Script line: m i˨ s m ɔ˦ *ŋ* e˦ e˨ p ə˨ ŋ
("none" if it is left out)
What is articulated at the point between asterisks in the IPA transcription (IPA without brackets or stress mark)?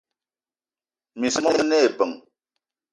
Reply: n